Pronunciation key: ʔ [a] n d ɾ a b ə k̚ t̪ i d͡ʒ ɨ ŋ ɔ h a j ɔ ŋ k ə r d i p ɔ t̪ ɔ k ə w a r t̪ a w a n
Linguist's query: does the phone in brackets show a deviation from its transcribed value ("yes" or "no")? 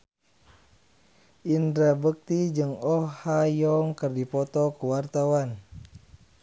yes